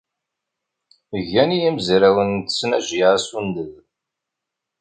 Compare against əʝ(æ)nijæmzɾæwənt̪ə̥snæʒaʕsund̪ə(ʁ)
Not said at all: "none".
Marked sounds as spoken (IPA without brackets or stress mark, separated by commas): æ, ð